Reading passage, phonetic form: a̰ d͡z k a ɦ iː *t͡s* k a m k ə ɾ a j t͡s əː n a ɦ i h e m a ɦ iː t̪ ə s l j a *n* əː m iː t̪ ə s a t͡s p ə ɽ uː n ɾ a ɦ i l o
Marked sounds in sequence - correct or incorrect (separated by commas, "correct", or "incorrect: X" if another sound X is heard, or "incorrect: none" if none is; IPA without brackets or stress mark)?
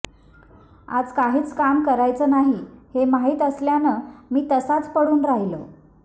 correct, correct